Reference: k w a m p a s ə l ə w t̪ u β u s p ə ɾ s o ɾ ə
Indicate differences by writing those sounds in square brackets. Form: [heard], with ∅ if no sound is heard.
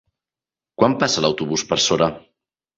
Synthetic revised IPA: k w a m p a s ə l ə w t̪ u β u s p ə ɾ s o ɾ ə